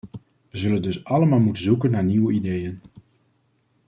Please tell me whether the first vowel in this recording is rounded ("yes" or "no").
no